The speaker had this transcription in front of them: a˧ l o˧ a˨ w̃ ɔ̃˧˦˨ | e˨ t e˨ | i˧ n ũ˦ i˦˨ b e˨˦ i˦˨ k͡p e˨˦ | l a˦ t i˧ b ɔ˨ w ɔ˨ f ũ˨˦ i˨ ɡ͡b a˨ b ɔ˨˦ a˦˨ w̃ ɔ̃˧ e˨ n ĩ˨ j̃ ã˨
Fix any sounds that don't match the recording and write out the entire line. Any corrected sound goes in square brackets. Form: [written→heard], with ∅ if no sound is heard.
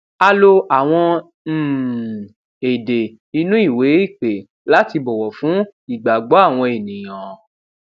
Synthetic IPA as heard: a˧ l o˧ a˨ w̃ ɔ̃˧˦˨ | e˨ [t→d] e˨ | i˧ n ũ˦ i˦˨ [b→w] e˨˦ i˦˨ k͡p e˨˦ | l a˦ t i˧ b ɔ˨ w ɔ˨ f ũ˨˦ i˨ ɡ͡b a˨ [b→ɡ͡b] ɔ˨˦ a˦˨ w̃ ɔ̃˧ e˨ n ĩ˨ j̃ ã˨